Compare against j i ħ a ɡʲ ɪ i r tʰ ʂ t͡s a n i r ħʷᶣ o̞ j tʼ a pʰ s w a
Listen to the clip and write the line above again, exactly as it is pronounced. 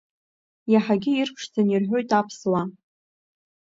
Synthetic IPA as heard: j a ħ a ɡʲ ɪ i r pʰ ʂ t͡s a n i r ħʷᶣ o̞ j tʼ a pʰ s w a